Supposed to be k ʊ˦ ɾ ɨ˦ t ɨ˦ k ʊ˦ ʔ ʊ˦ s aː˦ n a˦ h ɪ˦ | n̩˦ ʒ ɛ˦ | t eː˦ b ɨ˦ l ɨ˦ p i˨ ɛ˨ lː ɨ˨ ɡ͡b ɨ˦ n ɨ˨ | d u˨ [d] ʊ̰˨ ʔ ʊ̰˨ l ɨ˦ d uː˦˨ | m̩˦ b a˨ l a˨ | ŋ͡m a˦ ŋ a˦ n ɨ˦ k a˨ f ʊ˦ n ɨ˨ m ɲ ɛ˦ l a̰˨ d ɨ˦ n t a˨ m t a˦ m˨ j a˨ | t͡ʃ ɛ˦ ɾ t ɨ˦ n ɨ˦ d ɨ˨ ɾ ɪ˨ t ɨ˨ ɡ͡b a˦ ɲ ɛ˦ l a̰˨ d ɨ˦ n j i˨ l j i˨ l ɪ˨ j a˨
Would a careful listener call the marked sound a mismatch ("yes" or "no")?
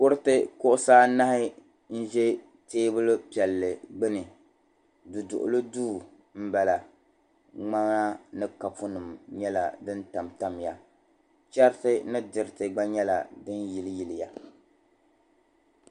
no